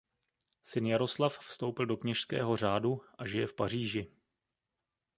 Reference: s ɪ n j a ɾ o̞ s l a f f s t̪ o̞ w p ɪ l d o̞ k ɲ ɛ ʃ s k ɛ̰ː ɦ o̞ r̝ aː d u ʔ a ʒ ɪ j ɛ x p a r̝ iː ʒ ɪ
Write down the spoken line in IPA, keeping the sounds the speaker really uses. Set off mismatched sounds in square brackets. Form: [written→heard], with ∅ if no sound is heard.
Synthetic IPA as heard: s ɪ n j a ɾ o̞ s l a f f s t̪ o̞ w p ɪ l d o̞ k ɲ ɛ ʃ s k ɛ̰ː ɦ o̞ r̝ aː d u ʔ a ʒ ɪ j ɛ [x→f] p a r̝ iː ʒ ɪ